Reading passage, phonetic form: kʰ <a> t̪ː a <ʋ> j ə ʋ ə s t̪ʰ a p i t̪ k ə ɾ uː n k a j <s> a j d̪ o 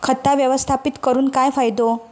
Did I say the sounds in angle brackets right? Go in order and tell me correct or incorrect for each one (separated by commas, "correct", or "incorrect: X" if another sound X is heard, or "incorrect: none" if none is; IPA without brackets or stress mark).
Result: incorrect: ə, correct, incorrect: f